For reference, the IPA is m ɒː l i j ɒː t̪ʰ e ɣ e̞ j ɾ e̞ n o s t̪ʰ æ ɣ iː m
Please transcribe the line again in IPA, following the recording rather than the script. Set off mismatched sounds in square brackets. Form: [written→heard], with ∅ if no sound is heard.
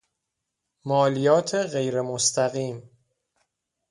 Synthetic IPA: m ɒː l i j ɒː t̪ʰ e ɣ e̞ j ɾ e̞ [n→m] o s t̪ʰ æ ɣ iː m